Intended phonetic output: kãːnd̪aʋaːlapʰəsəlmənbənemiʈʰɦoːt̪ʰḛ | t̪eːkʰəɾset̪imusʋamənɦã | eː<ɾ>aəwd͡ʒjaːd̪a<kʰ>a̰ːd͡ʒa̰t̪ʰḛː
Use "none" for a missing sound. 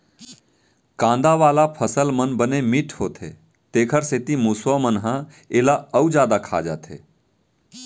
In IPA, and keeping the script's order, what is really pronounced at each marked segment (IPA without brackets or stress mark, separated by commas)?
l, kʰ